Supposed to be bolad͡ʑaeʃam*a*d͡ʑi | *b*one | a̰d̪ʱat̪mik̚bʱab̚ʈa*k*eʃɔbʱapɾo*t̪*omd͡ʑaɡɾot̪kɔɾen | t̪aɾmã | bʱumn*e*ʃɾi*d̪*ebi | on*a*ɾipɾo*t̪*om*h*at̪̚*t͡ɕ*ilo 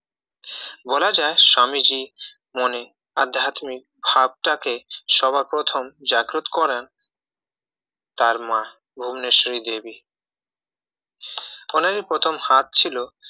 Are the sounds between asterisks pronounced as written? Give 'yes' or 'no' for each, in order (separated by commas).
no, no, yes, no, yes, yes, yes, no, yes, no